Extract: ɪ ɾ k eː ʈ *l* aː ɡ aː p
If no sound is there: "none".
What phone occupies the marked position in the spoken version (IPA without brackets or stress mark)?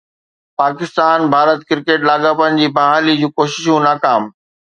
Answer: l